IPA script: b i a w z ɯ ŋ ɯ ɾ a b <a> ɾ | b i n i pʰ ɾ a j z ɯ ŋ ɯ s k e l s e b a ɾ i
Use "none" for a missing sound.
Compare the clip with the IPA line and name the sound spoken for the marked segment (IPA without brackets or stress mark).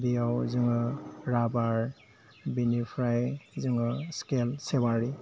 a